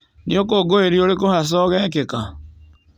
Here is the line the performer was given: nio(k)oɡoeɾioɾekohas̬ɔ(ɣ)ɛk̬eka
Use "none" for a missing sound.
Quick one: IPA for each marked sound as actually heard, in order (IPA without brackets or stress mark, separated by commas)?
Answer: k, ɣ